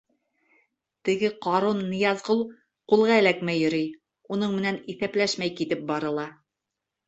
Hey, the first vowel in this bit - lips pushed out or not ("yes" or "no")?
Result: no